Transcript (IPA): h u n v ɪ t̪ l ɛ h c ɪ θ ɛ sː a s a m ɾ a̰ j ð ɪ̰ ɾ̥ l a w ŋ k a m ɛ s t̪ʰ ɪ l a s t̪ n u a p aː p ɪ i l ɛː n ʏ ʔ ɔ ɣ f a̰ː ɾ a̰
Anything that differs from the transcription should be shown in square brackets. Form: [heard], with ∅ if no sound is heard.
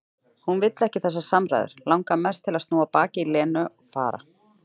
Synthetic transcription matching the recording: h u n v ɪ t̪ l ɛ h c ɪ θ ɛ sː a s a m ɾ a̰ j ð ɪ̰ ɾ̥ l a w ŋ k a m ɛ s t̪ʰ ɪ l a s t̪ n [uː] a p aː [c] ɪ i l ɛː n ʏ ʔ ɔ ɣ f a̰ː ɾ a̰